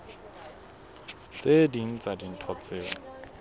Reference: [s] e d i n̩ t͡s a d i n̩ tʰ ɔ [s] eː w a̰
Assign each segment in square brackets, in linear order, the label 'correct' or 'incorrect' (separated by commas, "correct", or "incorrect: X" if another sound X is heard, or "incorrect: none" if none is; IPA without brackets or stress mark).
incorrect: t͡s, incorrect: t͡s